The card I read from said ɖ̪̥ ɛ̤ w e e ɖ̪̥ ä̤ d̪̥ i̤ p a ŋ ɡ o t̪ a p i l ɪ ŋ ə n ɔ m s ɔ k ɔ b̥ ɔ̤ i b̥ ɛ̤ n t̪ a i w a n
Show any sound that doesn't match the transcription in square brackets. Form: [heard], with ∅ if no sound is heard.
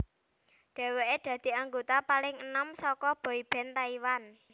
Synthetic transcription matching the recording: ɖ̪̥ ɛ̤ w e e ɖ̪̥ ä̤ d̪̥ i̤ [∅] a ŋ ɡ o t̪ a p [a] l ɪ ŋ ə n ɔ m s ɔ k ɔ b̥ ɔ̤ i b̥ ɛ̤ n t̪ a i w a n